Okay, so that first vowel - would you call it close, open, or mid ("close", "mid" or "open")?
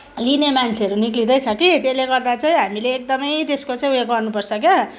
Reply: close